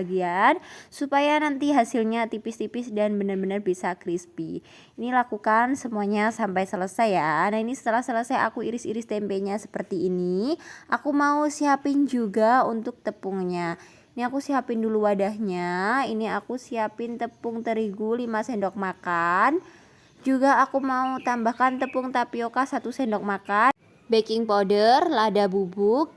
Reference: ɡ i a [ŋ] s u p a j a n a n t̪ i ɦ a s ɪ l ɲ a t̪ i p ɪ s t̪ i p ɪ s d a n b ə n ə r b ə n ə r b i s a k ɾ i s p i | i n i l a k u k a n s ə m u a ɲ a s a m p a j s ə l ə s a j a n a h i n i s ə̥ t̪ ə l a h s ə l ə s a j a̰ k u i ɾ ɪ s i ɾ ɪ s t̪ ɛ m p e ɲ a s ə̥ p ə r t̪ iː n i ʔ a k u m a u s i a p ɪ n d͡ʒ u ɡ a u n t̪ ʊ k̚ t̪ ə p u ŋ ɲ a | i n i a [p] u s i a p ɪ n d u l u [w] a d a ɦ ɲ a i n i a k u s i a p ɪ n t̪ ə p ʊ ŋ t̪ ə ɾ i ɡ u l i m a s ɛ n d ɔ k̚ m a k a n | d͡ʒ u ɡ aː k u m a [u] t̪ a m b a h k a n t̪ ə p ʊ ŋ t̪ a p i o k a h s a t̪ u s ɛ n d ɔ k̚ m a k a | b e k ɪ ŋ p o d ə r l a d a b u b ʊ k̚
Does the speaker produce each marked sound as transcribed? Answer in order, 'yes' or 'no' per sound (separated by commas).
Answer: no, no, yes, yes